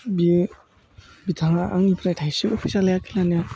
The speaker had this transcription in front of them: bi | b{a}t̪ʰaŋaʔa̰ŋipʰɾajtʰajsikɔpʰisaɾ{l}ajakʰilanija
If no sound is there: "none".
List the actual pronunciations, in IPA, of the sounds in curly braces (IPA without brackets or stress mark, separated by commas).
i, l